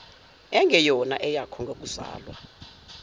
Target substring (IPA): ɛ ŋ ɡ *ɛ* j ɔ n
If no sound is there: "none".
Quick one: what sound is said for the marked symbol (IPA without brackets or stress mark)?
ɛ